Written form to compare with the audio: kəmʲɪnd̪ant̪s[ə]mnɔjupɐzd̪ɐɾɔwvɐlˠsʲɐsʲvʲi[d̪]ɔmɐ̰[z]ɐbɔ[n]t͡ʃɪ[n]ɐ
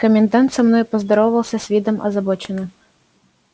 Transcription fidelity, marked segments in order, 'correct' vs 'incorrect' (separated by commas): incorrect, correct, correct, incorrect, correct